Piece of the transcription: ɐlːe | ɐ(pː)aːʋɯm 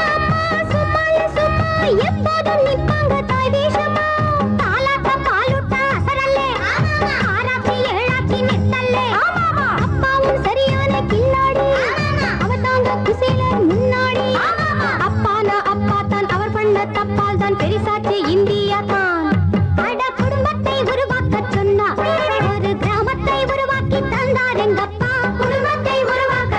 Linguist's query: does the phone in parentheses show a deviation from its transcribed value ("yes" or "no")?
no